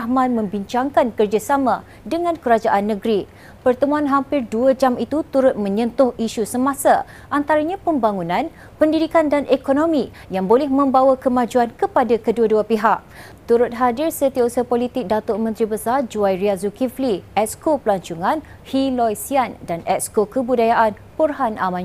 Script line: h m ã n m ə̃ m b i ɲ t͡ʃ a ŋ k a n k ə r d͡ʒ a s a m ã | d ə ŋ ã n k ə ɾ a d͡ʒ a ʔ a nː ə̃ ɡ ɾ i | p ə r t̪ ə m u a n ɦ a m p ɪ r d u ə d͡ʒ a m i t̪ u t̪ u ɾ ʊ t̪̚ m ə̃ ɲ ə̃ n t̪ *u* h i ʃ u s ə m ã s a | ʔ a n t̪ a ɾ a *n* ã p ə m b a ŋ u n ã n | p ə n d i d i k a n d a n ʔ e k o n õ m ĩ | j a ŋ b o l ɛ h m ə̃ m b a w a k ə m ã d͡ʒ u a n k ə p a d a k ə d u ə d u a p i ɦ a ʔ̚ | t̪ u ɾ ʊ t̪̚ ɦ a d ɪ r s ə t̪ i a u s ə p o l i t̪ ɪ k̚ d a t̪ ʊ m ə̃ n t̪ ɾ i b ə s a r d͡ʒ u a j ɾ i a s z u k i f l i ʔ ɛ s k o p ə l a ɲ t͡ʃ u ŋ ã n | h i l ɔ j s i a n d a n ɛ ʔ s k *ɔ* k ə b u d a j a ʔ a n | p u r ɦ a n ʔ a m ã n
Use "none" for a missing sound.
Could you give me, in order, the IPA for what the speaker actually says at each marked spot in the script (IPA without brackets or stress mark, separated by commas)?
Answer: ʊ, ɲ, o